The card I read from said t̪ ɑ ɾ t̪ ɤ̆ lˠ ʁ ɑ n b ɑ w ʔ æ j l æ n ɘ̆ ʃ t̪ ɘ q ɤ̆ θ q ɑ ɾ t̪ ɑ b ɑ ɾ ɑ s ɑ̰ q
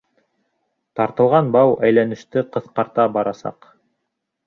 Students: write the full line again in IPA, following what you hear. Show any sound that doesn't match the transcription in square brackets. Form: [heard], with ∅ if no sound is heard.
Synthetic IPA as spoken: t̪ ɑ ɾ t̪ ɤ̆ lˠ ʁ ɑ n b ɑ w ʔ æ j l æ n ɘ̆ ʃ t̪ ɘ q ɤ̆ θ q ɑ ɾ t̪ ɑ b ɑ ɾ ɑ s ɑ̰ q